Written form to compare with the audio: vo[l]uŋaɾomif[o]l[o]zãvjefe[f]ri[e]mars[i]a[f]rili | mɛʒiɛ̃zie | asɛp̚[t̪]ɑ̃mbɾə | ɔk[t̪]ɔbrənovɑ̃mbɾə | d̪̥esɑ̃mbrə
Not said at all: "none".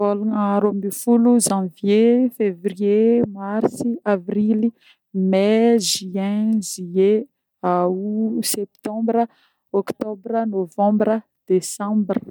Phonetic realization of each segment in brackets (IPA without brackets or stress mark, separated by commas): l, u, u, v, e, i, v, t̪, t̪